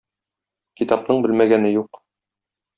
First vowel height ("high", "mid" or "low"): high